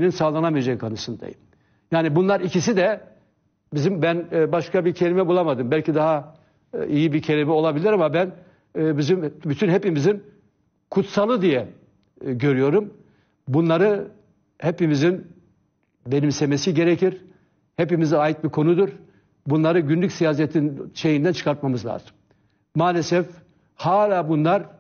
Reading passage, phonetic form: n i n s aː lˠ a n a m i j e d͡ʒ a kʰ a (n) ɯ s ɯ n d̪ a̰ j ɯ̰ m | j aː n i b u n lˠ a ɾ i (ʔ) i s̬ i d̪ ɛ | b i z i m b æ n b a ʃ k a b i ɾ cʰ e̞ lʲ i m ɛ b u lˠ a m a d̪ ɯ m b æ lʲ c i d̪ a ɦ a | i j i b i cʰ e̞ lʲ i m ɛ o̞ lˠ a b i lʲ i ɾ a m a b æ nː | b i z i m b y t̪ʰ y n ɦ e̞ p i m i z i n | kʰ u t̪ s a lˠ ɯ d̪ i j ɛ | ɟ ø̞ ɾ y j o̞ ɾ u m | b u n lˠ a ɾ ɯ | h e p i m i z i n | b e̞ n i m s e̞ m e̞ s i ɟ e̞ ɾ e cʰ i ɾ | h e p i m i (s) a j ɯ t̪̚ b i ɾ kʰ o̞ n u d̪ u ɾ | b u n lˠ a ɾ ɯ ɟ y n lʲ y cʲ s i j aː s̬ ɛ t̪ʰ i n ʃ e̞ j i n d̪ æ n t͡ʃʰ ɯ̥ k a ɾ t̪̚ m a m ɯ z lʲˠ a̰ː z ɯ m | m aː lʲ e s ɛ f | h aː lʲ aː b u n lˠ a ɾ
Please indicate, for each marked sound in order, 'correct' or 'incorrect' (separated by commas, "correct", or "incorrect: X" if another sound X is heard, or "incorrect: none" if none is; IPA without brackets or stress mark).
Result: correct, incorrect: c, incorrect: z